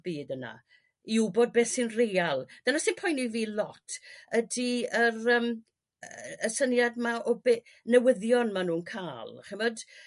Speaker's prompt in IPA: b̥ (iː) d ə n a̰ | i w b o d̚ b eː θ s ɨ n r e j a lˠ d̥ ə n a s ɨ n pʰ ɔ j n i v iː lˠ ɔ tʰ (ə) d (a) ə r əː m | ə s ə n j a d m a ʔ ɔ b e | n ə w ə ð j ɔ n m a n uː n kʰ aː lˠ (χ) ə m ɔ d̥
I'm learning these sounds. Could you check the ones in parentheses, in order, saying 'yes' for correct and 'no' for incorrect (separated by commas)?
yes, yes, no, yes